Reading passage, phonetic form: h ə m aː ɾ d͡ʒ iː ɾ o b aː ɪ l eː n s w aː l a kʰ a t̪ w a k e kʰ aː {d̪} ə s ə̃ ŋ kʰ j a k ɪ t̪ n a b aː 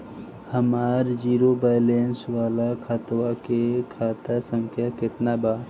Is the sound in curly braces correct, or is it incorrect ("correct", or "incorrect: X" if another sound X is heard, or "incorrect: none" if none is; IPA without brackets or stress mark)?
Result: incorrect: t̪